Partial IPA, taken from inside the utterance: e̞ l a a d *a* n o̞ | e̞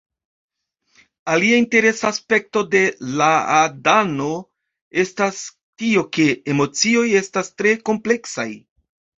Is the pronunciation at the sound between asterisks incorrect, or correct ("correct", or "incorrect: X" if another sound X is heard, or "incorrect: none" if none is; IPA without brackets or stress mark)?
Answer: correct